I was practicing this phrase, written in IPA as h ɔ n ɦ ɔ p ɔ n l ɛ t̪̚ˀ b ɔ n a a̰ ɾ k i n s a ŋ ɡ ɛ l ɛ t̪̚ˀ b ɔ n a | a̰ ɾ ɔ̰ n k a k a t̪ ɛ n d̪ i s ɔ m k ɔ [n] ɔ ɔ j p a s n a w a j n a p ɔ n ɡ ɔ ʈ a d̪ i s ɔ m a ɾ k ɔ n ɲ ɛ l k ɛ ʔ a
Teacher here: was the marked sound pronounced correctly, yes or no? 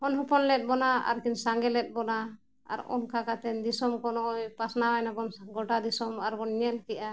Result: yes